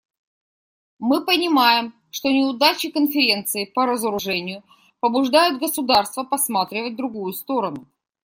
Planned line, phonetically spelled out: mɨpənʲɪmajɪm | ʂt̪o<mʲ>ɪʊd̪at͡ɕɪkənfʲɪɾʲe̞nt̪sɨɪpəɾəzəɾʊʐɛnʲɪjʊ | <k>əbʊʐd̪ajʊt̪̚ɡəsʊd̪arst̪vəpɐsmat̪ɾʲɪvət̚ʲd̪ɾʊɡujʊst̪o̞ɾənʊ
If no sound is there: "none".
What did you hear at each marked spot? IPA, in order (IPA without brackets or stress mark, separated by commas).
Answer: nʲ, p